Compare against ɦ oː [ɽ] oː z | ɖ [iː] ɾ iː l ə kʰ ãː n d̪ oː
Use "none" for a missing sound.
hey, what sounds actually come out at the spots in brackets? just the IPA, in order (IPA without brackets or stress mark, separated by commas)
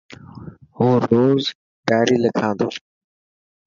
ɾ, aː